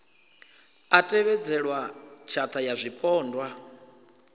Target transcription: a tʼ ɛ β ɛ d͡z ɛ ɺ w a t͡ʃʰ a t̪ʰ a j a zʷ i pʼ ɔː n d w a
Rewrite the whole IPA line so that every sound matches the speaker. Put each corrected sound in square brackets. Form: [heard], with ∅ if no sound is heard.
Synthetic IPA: a tʼ ɛ β ɛ d͡z ɛ ɺ w a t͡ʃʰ a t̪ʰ a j a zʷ i pʼ ɔː n d w a